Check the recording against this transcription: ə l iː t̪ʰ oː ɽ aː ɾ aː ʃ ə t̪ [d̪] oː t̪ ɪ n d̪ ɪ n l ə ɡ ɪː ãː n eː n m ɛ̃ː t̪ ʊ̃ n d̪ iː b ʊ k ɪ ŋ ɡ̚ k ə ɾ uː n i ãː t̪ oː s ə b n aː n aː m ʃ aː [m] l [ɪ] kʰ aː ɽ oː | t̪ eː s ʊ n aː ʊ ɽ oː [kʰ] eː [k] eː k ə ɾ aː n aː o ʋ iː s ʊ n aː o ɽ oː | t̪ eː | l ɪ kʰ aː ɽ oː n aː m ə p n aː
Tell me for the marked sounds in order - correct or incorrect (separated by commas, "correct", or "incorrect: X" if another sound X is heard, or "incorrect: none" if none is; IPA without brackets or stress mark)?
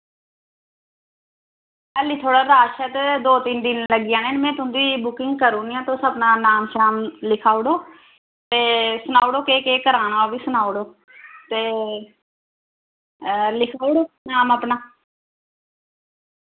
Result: correct, correct, correct, incorrect: k, correct